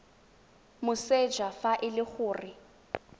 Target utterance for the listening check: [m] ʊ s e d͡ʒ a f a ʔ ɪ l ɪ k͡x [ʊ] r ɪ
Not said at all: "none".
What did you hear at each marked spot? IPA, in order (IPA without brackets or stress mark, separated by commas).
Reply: m, ʊː